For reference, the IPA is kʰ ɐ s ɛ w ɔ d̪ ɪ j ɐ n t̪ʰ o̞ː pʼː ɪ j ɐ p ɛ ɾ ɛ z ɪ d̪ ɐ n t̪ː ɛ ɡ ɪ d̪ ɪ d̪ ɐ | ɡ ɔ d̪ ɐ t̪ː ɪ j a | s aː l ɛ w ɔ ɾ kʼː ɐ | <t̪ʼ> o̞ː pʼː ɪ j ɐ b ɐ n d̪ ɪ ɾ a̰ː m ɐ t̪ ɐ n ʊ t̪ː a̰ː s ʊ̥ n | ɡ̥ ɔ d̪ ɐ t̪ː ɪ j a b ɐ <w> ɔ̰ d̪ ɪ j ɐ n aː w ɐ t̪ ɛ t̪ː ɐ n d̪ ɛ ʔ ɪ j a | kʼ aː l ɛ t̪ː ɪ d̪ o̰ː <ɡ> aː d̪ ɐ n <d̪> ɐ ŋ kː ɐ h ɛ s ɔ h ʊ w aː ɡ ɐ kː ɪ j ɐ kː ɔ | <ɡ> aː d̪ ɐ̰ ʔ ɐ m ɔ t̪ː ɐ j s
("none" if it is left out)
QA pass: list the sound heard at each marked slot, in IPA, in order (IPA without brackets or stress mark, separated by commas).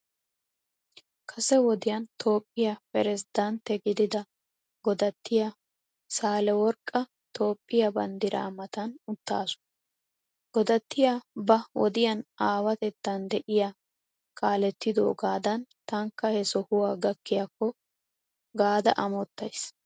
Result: t̪, w, ɡ, t̪, ɡ